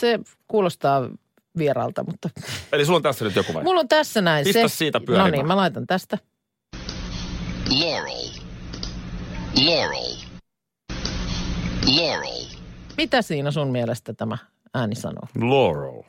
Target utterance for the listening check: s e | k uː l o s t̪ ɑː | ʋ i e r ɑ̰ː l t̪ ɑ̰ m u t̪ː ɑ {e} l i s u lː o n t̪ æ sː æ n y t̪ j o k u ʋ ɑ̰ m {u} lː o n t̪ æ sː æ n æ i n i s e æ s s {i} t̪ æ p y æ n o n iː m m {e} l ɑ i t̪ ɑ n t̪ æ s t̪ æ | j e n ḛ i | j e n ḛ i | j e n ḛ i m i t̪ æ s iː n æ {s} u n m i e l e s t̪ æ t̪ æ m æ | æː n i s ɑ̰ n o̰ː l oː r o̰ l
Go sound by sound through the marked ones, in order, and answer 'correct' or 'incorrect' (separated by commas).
correct, correct, incorrect, incorrect, correct